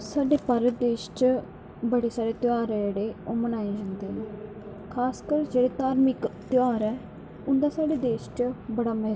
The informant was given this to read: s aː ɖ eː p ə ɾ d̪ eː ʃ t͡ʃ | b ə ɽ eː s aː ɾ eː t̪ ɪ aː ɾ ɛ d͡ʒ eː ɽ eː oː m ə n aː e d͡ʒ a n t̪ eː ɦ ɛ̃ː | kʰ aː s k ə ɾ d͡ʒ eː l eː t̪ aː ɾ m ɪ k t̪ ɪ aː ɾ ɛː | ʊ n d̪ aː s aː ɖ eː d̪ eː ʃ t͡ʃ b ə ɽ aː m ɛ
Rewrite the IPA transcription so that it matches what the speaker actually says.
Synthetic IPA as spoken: s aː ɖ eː p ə ɾ d̪ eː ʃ t͡ʃ | b ə ɽ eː s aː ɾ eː t̪ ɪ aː ɾ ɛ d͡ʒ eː ɽ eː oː m ə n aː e d͡ʒ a n d̪ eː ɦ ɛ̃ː | kʰ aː s k ə ɾ d͡ʒ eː ɽ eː t̪ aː ɾ m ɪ k t̪ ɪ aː ɾ ɛː | ʊ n d̪ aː s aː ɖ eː d̪ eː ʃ t͡ʃ b ə ɽ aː m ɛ

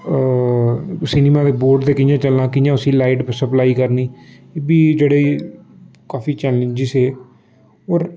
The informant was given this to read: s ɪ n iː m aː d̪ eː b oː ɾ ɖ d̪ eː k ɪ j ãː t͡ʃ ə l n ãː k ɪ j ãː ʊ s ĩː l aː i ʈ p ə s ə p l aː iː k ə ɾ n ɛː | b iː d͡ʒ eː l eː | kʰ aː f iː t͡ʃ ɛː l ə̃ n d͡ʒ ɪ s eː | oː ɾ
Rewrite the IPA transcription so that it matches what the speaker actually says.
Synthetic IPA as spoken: s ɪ n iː m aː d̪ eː b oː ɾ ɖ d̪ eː k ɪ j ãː t͡ʃ ə l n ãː k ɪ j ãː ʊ s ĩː l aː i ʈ p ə s ə p l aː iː k ə ɾ n iː | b iː d͡ʒ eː ɽ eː | k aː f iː t͡ʃ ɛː l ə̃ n d͡ʒ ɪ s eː | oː ɾ

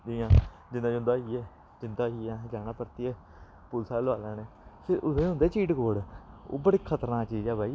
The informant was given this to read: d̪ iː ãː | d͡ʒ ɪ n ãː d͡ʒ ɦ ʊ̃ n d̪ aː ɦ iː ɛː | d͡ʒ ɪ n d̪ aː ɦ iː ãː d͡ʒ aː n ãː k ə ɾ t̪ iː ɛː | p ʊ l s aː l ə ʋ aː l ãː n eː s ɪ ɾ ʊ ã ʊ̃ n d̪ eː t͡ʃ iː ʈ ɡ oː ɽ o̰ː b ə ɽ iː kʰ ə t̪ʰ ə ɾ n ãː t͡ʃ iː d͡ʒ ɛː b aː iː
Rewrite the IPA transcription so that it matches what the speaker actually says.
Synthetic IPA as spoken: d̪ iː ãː | d͡ʒ ɪ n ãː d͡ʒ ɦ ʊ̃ n d̪ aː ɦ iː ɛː | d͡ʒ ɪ n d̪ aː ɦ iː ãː d͡ʒ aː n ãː p ə ɾ t̪ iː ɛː | p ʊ l s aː l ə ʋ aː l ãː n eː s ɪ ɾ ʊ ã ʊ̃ n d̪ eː t͡ʃ iː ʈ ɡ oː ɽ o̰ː b ə ɽ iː kʰ ə t̪ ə ɾ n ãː t͡ʃ iː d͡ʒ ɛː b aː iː

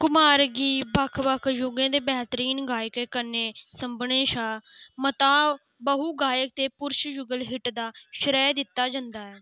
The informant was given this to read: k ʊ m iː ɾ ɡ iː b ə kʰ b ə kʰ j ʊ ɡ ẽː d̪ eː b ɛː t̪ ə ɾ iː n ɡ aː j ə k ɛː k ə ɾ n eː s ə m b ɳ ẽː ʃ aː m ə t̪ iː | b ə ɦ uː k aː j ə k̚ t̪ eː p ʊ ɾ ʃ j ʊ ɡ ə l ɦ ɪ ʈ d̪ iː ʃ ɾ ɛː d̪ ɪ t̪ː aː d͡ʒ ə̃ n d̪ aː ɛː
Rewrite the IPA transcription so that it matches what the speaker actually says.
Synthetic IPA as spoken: k ʊ m aː ɾ ɡ iː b ə kʰ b ə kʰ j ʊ ɡ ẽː d̪ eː b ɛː t̪ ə ɾ iː n ɡ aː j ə k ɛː k ə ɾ n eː s ə m b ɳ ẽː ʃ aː m ə t̪ aː | b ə ɦ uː ɡ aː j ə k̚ t̪ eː p ʊ ɾ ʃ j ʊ ɡ ə l ɦ ɪ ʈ d̪ aː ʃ ɾ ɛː d̪ ɪ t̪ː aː d͡ʒ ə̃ n d̪ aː ɛː

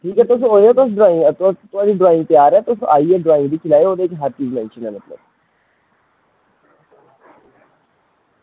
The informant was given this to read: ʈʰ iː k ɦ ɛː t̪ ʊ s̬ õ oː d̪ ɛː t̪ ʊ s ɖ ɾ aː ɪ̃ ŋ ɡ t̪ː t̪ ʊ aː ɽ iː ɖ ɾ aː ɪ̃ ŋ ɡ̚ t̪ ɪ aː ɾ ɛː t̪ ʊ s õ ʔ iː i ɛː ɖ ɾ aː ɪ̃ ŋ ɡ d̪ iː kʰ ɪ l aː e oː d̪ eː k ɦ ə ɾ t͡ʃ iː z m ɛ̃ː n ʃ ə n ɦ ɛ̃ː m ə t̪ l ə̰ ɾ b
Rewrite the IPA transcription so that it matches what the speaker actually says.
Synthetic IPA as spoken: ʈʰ iː k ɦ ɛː t̪ ʊ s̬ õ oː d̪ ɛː t̪ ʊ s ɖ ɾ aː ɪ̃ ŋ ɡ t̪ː t̪ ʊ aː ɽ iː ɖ ɾ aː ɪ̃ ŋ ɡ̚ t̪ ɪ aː ɾ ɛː t̪ ʊ s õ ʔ aː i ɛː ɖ ɾ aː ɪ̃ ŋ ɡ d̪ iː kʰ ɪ l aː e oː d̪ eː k ɦ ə ɾ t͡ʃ iː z m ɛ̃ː n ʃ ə n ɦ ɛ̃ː m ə t̪ l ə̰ b

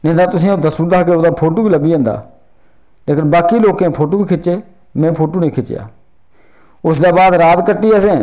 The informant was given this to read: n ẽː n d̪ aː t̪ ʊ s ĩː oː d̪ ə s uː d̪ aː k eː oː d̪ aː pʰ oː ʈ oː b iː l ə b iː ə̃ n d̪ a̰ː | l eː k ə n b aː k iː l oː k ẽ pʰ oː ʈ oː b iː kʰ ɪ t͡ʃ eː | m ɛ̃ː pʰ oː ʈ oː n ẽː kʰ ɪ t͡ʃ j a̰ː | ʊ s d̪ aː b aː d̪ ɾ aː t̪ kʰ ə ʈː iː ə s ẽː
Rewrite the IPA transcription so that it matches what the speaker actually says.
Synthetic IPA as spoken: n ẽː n d̪ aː t̪ ʊ s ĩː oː d̪ ə s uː d̪ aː k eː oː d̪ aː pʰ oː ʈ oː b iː l ə b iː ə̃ n d̪ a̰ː | l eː k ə n b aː k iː l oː k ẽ pʰ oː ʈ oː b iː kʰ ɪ t͡ʃ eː | m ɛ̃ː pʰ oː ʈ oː n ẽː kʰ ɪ t͡ʃ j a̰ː | ʊ s d̪ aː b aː d̪ ɾ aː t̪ k ə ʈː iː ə s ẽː

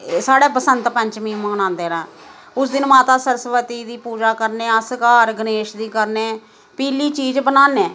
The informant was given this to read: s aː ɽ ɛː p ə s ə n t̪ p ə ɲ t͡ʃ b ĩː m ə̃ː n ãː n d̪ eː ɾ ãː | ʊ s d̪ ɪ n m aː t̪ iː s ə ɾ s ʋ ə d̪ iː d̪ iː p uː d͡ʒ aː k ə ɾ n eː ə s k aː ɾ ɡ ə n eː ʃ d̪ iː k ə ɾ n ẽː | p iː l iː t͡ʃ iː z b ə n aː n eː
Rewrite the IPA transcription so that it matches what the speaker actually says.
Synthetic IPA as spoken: s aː ɽ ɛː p ə s ə n t̪ p ə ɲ t͡ʃ m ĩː m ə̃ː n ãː n d̪ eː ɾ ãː | ʊ s d̪ ɪ n m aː t̪ aː s ə ɾ s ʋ ə t̪ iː d̪ iː p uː d͡ʒ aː k ə ɾ n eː ə s k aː ɾ ɡ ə n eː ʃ d̪ iː k ə ɾ n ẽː | p iː l iː t͡ʃ iː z b ə n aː n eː

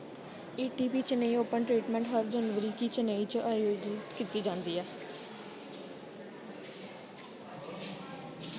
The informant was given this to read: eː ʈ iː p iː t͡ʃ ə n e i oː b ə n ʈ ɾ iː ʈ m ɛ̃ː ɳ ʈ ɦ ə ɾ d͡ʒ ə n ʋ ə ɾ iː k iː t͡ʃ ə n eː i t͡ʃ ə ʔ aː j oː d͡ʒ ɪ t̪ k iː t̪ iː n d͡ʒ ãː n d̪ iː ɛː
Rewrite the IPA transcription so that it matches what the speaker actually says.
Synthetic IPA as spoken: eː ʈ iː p iː t͡ʃ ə n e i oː p ə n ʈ ɾ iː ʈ m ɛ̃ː ɳ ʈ ɦ ə ɾ d͡ʒ ə n ʋ ə ɾ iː k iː t͡ʃ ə n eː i t͡ʃ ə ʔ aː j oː d͡ʒ ɪ t̪ k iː t̪ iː d͡ʒ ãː n d̪ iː ɛː

